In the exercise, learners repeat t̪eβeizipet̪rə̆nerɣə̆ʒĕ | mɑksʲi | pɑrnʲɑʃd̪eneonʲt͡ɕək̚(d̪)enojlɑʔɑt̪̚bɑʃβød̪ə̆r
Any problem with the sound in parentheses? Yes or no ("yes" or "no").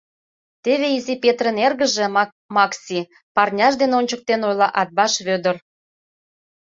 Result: yes